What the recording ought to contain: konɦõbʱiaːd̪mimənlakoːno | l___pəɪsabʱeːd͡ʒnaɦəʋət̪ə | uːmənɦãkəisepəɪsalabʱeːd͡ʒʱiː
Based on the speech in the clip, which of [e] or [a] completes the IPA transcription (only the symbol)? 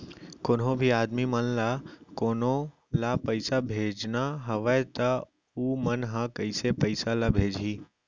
a